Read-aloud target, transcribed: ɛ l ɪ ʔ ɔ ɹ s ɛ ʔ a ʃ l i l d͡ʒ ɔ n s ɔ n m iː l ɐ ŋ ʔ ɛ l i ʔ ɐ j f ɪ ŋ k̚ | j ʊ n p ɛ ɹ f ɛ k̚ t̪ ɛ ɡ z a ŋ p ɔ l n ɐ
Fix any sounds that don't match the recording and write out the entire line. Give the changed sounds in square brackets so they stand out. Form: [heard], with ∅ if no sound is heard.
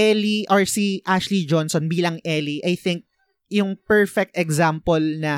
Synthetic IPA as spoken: ɛ l [i] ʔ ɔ ɹ s [i] ʔ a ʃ l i [∅] d͡ʒ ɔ n s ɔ n [b] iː l ɐ ŋ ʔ ɛ l i ʔ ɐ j [θ] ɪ ŋ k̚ | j ʊ [ŋ] p ɛ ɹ f ɛ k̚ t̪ ɛ ɡ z a [m] p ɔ l n ɐ